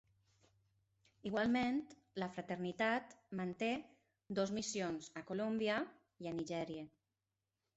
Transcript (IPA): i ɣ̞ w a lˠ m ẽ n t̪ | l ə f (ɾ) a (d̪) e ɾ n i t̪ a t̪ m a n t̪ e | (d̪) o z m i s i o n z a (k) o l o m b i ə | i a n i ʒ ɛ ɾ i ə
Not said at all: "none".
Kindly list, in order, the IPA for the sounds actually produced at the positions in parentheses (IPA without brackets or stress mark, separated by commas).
ɾ, t̪, d̪, k